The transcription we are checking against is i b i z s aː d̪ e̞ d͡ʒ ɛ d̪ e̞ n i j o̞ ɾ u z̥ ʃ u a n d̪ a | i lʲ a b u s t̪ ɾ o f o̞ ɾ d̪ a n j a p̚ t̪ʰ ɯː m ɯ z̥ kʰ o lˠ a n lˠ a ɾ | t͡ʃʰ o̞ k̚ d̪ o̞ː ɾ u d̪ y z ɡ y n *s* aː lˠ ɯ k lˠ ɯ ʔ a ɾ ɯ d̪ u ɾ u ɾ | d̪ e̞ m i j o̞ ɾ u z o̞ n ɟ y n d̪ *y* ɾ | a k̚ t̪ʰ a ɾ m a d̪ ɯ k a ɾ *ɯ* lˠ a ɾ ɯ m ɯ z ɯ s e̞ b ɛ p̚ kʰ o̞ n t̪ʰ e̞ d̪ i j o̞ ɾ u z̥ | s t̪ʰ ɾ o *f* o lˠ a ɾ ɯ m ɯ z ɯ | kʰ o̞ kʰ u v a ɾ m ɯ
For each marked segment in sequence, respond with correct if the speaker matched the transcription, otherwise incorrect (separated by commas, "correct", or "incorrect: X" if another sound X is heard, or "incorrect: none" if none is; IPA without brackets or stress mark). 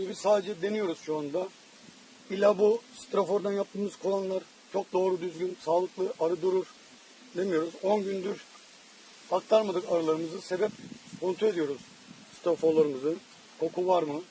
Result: correct, correct, correct, correct